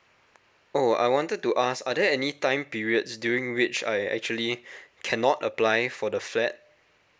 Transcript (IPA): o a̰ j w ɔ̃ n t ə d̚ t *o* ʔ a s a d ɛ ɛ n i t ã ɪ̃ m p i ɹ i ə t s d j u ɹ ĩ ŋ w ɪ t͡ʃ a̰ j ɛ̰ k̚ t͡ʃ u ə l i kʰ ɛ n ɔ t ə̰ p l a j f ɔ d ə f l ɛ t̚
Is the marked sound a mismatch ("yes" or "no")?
yes